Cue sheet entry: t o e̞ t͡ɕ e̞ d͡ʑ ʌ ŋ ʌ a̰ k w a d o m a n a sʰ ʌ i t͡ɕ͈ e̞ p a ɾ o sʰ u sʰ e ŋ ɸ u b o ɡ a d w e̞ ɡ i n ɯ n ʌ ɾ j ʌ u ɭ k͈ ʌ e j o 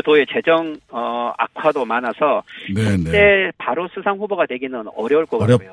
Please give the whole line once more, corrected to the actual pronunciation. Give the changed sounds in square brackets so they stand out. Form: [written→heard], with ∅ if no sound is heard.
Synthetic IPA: t o e̞ t͡ɕ e̞ d͡ʑ ʌ ŋ ʌ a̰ [k→kʰ] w a d o m a n a sʰ ʌ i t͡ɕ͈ e̞ p a ɾ o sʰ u sʰ [e→a] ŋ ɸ u b o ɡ a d w e̞ ɡ i n ɯ n ʌ ɾ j ʌ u ɭ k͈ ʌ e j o